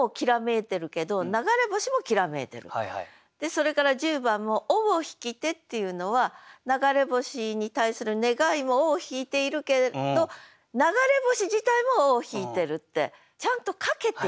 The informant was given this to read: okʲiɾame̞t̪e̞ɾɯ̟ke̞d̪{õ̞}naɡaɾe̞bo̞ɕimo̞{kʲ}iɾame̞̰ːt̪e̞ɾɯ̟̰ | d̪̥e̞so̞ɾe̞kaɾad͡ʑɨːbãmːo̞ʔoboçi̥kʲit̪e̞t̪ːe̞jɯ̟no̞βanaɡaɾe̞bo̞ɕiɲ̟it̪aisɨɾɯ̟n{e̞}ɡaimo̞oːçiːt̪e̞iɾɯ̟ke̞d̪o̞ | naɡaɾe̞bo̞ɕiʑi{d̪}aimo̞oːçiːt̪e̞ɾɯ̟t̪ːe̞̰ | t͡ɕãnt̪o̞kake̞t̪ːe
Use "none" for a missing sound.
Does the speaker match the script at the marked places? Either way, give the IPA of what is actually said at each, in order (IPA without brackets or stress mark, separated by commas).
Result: o̞, kʲ, e̞, t̪